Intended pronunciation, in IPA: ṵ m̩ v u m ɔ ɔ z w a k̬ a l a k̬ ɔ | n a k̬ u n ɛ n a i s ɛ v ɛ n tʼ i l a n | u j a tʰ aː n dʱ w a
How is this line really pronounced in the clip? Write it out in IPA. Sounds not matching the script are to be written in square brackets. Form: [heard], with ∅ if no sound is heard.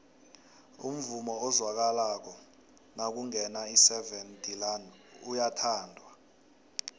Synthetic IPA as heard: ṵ m̩ v u m ɔ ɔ z w a k̬ a l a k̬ ɔ | n a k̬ u [ŋ] ɛ n a i s ɛ v ɛ n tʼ i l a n | u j a tʰ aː n dʱ w a